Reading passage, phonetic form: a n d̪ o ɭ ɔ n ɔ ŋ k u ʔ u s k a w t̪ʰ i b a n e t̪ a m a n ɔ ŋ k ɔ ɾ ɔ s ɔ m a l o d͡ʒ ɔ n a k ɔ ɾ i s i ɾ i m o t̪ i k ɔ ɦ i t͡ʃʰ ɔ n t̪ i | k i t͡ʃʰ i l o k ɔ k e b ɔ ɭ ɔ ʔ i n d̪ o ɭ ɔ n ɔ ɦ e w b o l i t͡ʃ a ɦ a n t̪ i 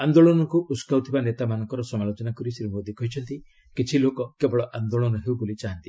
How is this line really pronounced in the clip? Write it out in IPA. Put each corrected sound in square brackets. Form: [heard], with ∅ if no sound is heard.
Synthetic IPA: a n d̪ o ɭ ɔ n ɔ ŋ k u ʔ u s k a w t̪ʰ i b a n e t̪ a m a n ɔ ŋ k ɔ ɾ ɔ s ɔ m a l o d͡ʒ ɔ n a k ɔ ɾ i s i ɾ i m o [d̪] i k ɔ ɦ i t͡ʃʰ ɔ n t̪ i | k i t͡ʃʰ i l o k ɔ k e b ɔ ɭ ɔ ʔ [a] n d̪ o ɭ ɔ n ɔ ɦ e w b o l i t͡ʃ a ɦ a n t̪ i

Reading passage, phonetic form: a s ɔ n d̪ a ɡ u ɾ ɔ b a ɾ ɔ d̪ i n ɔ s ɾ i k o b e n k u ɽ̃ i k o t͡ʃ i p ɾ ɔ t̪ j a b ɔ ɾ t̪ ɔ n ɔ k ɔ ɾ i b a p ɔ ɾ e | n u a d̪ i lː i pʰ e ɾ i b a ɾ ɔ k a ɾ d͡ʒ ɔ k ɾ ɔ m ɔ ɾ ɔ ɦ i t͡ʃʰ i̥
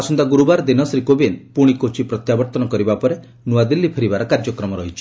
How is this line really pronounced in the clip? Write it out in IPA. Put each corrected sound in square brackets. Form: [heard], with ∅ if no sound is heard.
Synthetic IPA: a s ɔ n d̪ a ɡ u ɾ [u] b a ɾ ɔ d̪ i n ɔ s ɾ i k o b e n [p] u ɽ̃ i k o t͡ʃ i p ɾ ɔ t̪ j a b ɔ ɾ t̪ ɔ n ɔ k ɔ ɾ i b a p ɔ ɾ e | n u a d̪ i lː i pʰ e ɾ i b a ɾ ɔ k a ɾ d͡ʒ ɔ k ɾ ɔ m ɔ ɾ ɔ ɦ i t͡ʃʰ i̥

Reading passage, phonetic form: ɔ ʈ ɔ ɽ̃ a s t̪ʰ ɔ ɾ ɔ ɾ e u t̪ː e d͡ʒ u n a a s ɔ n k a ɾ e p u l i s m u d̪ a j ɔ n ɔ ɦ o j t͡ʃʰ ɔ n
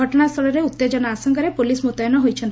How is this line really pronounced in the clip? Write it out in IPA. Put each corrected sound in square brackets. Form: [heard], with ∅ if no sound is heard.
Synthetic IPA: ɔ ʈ ɔ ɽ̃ a s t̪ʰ ɔ [ɭ] ɔ ɾ e u t̪ː e d͡ʒ [ɔ] n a a s ɔ [ŋ] k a ɾ e p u l i s m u [t̪] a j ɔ n ɔ ɦ o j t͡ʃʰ ɔ n

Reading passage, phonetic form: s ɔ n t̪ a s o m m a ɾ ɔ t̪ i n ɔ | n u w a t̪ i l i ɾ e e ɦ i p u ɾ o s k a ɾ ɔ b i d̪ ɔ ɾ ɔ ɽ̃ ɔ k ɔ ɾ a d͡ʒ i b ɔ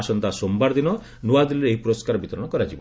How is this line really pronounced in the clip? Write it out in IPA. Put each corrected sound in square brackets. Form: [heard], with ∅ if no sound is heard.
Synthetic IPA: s ɔ n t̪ a s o m [b] a ɾ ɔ [d̪] i n ɔ | n u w a [d̪] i l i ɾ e e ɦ i p u ɾ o s k a ɾ ɔ b i [t̪] ɔ ɾ ɔ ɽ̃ ɔ k ɔ ɾ a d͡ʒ i b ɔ

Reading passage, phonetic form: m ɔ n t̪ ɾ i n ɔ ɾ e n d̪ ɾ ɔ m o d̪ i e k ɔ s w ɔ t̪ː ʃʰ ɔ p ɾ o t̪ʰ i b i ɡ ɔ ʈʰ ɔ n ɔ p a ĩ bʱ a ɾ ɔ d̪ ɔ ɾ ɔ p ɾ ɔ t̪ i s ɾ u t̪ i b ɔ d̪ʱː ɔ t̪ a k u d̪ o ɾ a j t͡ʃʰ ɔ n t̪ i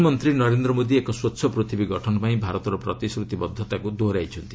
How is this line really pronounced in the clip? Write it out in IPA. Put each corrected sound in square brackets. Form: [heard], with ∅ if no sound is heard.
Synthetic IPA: m ɔ n t̪ ɾ i n ɔ ɾ e n d̪ ɾ ɔ m o d̪ i e k ɔ s w ɔ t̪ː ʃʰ ɔ p ɾ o t̪ʰ i b i ɡ ɔ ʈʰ ɔ n ɔ p a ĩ bʱ a ɾ ɔ [t̪] ɔ ɾ ɔ p ɾ ɔ t̪ i s ɾ u t̪ i b ɔ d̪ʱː ɔ t̪ a k u d̪ o ɾ a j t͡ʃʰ ɔ n t̪ i

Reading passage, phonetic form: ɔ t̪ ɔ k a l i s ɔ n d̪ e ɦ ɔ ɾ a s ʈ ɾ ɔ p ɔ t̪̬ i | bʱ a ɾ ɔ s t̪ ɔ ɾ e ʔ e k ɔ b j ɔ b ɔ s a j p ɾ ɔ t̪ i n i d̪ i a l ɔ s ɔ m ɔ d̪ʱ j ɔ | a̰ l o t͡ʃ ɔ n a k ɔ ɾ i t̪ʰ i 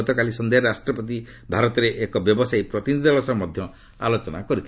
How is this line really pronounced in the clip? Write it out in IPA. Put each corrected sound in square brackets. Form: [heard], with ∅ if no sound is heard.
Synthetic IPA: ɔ t̪ ɔ k a l i s ɔ n d̪ e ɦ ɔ ɾ a s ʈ ɾ ɔ p ɔ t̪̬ i | bʱ a ɾ ɔ [∅] t̪ ɔ ɾ e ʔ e k ɔ b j ɔ b ɔ s a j p ɾ ɔ t̪ i n i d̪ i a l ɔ s ɔ m ɔ d̪ʱ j ɔ | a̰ l o t͡ʃ ɔ n a k ɔ ɾ i t̪ʰ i

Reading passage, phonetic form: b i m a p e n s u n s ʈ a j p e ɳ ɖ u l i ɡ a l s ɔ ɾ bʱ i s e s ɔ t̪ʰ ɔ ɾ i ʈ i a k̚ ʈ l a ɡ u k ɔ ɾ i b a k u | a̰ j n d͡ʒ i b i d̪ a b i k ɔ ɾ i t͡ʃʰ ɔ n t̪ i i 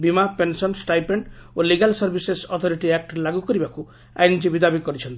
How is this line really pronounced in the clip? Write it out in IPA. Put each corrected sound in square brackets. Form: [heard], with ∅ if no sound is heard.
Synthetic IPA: b i m a p e n s [ɔ] n s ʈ a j p e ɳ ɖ [o] l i ɡ a l s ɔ ɾ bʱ i s e s ɔ t̪ʰ ɔ ɾ i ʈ i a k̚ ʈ l a ɡ u k ɔ ɾ i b a k u | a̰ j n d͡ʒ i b i d̪ a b i k ɔ ɾ i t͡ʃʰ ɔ n t̪ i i

